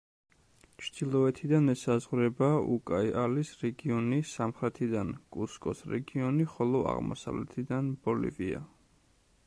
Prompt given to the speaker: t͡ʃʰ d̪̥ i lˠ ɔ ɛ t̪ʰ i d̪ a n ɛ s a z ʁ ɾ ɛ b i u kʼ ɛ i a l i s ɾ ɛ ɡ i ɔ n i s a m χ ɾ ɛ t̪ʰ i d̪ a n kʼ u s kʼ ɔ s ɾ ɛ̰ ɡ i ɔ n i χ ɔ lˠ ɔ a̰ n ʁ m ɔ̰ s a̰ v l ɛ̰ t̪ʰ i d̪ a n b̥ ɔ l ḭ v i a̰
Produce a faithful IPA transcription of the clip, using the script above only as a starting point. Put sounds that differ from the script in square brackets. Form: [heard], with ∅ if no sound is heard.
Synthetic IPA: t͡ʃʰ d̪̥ i lˠ ɔ ɛ t̪ʰ i d̪ a n ɛ s a z ʁ ɾ ɛ b [a] u kʼ [a] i a l i s ɾ ɛ ɡ i ɔ n i s a m χ ɾ ɛ t̪ʰ i d̪ a n kʼ u s kʼ ɔ s ɾ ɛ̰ ɡ i ɔ n i χ ɔ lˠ ɔ a̰ [∅] ʁ m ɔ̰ s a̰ v l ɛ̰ t̪ʰ i d̪ a n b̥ ɔ l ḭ v i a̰